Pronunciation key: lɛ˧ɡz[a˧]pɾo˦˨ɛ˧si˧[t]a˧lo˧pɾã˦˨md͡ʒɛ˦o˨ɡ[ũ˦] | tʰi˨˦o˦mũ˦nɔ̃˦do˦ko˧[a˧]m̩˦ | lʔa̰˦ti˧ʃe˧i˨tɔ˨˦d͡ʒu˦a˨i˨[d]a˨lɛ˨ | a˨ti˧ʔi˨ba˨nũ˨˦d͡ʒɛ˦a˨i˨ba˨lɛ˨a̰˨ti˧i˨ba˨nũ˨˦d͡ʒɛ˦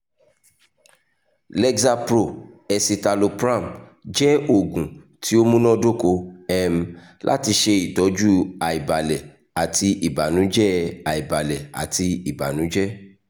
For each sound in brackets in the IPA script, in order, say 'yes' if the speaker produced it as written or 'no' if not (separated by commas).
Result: yes, yes, no, no, no